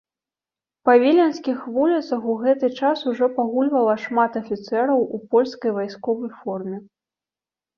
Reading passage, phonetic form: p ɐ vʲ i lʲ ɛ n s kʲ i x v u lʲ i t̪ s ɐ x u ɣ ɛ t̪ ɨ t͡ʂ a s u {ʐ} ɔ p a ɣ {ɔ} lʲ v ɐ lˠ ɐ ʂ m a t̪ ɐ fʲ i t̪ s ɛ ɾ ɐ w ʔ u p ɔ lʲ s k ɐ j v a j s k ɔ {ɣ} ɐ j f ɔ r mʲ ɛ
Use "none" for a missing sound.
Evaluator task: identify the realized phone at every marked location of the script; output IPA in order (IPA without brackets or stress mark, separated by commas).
ʐ, u, v